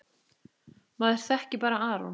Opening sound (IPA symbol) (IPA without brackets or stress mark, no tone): m